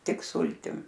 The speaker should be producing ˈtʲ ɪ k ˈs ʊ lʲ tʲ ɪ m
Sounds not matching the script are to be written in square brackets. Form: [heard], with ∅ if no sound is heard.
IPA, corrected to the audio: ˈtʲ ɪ k ˈs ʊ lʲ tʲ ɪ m

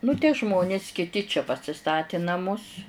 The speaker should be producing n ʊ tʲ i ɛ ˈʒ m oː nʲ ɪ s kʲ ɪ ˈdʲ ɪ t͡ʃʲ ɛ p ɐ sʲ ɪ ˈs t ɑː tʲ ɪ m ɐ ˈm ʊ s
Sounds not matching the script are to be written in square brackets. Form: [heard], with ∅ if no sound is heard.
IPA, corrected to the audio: n ʊ tʲ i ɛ ˈʒ m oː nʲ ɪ s kʲ ɪ [ˈtʲ] ɪ t͡ʃʲ ɛ p ɐ sʲ ɪ ˈs t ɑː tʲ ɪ [n] ɐ ˈm ʊ s

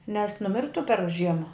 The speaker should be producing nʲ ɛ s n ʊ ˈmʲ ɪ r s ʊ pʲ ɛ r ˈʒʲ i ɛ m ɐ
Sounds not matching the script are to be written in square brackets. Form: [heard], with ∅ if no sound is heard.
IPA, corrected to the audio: nʲ ɛ s n ʊ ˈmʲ ɪ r [t] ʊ pʲ ɛ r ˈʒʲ i ɛ m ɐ

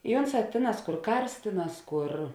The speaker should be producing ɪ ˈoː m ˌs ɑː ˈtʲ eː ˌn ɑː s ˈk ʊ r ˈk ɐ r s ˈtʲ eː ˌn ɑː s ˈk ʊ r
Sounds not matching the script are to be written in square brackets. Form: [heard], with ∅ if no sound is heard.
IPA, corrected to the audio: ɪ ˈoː [n] ˌs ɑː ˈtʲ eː ˌn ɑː s ˈk ʊ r ˈk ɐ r s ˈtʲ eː ˌn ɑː s ˈk ʊ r

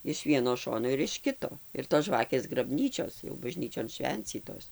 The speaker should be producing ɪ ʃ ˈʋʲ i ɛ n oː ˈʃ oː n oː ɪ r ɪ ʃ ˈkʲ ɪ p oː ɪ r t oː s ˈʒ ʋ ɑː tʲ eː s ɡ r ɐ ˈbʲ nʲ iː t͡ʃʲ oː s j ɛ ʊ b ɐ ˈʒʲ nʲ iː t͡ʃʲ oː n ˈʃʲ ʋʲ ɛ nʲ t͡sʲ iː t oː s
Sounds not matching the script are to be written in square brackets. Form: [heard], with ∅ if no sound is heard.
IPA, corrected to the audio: ɪ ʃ ˈʋʲ i ɛ n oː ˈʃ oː n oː ɪ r ɪ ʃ ˈkʲ ɪ [t] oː ɪ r t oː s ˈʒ ʋ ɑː [kʲ] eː s ɡ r ɐ ˈbʲ nʲ iː t͡ʃʲ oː s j ɛ ʊ b ɐ ˈʒʲ nʲ iː t͡ʃʲ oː n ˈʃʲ ʋʲ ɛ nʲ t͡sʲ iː t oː s

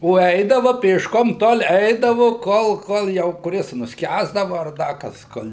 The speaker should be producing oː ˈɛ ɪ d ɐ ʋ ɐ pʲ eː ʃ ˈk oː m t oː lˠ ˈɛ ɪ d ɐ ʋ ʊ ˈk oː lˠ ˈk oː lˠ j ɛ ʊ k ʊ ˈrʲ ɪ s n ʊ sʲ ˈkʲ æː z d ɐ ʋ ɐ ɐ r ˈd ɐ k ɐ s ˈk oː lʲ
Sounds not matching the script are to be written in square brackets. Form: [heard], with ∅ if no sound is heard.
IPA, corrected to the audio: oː ˈɛ ɪ d ɐ ʋ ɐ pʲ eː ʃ ˈk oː m t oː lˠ ˈɛ ɪ d ɐ ʋ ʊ ˈk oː lˠ ˈk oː lˠ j ɛ ʊ k ʊ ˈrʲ ɪ s n ʊ sʲ ˈkʲ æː z d ɐ ʋ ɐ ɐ r ˈd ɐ k ɐ s ˈk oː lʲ

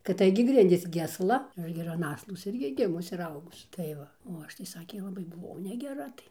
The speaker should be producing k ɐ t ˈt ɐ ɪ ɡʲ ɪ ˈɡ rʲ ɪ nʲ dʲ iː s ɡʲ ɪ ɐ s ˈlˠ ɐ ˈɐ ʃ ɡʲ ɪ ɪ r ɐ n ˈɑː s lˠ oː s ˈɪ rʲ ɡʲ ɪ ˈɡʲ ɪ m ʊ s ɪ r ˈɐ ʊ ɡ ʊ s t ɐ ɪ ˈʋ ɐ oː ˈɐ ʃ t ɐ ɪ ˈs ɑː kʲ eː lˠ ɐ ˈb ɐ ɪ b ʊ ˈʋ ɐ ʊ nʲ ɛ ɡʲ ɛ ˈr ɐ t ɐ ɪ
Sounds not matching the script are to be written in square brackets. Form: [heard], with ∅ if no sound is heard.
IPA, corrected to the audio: k ɐ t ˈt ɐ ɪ ɡʲ ɪ ˈɡ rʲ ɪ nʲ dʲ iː s ɡʲ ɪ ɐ s ˈlˠ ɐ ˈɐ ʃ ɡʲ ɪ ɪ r ɐ n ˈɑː s lˠ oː s ˈɪ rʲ ɡʲ ɪ ˈɡʲ ɪ m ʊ s ɪ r ˈɐ ʊ ɡ ʊ s t ɐ ɪ ˈʋ ɐ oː ˈɐ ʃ t ɐ ɪ ˈs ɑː kʲ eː lˠ ɐ ˈb ɐ ɪ b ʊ ˈʋ ɐ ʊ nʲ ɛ ɡʲ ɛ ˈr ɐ t ɐ ɪ

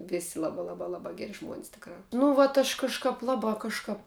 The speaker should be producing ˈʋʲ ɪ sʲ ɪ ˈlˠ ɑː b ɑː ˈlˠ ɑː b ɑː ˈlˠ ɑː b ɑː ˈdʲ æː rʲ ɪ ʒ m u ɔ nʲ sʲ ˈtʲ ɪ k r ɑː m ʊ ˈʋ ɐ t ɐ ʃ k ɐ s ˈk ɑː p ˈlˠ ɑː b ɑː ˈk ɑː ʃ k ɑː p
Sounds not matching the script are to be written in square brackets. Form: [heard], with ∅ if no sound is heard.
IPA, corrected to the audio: ˈʋʲ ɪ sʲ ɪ ˈlˠ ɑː b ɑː ˈlˠ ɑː b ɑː ˈlˠ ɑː b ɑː [ˈɡʲ] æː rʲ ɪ ʒ m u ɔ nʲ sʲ ˈtʲ ɪ k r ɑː [n] ʊ ˈʋ ɐ t ɐ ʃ k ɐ [ʃ] ˈk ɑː p ˈlˠ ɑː b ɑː ˈk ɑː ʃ k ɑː p

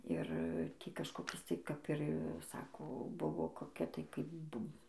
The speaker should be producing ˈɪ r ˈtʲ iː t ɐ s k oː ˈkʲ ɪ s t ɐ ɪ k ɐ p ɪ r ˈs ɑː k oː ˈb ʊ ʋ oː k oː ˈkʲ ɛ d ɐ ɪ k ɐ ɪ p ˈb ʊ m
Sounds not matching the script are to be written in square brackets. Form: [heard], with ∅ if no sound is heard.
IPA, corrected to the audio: ˈɪ r ˈtʲ iː [k] ɐ [ʃ] k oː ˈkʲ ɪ s t ɐ ɪ k ɐ p ɪ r ˈs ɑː k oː ˈb ʊ ʋ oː k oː ˈkʲ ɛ [t] ɐ ɪ k ɐ ɪ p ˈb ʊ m

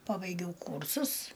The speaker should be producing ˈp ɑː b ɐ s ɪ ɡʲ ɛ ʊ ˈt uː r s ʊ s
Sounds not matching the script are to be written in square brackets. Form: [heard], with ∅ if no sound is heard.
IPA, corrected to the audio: ˈp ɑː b ɐ [∅] ɪ ɡʲ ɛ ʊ [ˈk] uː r s ʊ s

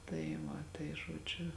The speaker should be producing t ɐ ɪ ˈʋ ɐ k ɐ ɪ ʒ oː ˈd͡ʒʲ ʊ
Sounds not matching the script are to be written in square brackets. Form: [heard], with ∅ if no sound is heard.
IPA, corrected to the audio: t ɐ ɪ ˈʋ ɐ [t] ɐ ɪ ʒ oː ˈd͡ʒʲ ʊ

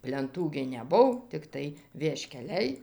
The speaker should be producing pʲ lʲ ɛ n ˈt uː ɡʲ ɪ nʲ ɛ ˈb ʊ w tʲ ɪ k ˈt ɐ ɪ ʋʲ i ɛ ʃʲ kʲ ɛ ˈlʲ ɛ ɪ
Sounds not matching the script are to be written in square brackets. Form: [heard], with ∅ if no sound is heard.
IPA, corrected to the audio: pʲ lʲ ɛ n ˈt uː ɡʲ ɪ nʲ ɛ ˈb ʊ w tʲ ɪ k ˈt ɐ ɪ ʋʲ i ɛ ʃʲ kʲ ɛ ˈlʲ ɛ ɪ

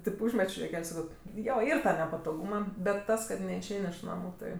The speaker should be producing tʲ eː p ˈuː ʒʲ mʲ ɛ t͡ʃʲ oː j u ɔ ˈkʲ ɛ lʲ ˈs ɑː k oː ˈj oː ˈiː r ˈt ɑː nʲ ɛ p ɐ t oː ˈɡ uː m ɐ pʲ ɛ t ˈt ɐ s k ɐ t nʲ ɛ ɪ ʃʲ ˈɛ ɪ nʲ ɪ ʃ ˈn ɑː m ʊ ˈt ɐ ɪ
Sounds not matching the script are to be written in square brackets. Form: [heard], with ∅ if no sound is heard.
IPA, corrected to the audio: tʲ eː p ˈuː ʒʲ mʲ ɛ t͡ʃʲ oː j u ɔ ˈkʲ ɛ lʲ ˈs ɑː k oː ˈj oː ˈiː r ˈt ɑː nʲ ɛ p ɐ t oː ˈɡ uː m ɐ [bʲ] ɛ t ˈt ɐ s k ɐ t nʲ ɛ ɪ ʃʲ ˈɛ ɪ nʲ ɪ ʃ ˈn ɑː m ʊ ˈt ɐ ɪ

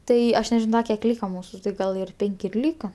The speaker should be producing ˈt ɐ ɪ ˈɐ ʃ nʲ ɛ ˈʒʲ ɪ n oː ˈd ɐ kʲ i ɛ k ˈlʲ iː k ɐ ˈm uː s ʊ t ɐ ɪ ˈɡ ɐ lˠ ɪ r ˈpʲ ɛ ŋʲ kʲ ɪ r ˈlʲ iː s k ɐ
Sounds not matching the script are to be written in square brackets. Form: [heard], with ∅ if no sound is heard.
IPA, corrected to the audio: ˈt ɐ ɪ ˈɐ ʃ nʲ ɛ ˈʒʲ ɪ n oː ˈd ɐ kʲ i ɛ k ˈlʲ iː k ɐ ˈm uː s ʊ t ɐ ɪ ˈɡ ɐ lˠ ɪ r ˈpʲ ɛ ŋʲ kʲ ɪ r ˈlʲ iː [∅] k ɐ

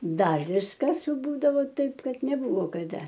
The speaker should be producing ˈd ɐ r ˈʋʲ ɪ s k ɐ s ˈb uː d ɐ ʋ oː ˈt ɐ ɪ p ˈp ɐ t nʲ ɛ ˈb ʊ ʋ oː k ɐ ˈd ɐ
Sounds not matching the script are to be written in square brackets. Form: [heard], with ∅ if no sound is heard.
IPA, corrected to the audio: ˈd ɐ r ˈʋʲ ɪ s k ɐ s ˈb uː d ɐ ʋ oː ˈt ɐ ɪ p [ˈk] ɐ t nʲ ɛ ˈb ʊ ʋ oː k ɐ ˈd ɐ

